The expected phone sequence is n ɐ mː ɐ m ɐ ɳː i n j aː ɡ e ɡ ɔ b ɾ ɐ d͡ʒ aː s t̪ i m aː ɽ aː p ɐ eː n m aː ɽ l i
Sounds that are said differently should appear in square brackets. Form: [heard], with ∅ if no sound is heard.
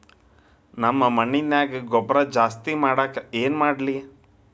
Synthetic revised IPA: n ɐ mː ɐ m ɐ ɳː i n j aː ɡ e ɡ ɔ b ɾ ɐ d͡ʒ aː s t̪ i m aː ɽ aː [k] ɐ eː n m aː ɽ l i